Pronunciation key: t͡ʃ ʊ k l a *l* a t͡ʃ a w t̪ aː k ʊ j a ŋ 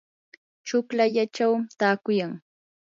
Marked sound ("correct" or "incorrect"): incorrect